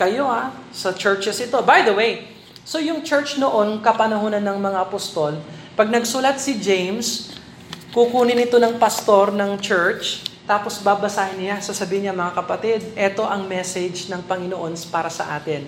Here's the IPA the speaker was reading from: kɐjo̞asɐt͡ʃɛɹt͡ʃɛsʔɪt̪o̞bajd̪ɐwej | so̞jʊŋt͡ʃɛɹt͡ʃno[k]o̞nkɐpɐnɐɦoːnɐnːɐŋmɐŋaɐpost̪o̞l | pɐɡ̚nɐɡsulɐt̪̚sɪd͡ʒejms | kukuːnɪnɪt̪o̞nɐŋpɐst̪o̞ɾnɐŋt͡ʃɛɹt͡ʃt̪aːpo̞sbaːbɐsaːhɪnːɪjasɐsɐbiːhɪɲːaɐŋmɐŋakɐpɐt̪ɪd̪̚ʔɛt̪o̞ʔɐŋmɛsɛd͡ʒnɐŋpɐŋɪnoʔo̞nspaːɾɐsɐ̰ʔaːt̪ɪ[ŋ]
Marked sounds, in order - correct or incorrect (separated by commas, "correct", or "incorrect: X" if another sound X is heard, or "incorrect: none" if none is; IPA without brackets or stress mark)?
incorrect: ʔ, incorrect: n